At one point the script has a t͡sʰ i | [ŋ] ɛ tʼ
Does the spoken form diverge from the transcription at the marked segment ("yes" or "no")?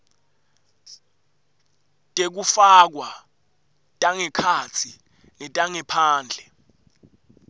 yes